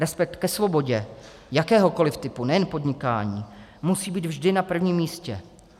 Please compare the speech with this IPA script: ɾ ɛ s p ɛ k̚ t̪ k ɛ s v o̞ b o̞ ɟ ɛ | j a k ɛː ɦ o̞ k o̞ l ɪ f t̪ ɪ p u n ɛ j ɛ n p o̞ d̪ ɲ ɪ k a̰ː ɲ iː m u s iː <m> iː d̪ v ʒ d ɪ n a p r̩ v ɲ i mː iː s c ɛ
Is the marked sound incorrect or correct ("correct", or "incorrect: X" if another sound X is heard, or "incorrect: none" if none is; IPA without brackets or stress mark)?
incorrect: b